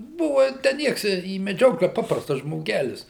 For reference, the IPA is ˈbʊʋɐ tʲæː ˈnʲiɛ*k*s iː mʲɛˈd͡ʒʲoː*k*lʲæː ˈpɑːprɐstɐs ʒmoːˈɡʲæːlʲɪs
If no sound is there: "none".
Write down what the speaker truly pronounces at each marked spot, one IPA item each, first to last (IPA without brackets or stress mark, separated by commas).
k, k